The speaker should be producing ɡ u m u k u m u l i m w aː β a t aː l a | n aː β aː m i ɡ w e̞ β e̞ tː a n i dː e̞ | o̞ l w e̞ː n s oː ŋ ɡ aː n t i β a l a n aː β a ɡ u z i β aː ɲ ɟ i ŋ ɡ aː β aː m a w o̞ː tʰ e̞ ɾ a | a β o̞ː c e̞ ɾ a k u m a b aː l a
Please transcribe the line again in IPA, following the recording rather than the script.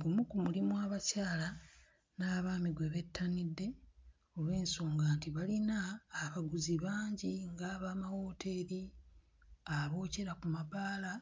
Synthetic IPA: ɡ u m u k u m u l i m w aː β a c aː l a | n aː β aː m i ɡ w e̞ β e̞ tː a n i dː e̞ | o̞ l w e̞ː n s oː ŋ ɡ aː n t i β a l i n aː β a ɡ u z i β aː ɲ ɟ i ŋ ɡ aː β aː m a w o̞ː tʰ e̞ ɾ i | a β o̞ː c e̞ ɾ a k u m a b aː l a